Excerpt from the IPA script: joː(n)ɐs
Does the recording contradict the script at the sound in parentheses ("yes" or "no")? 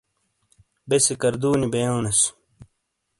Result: no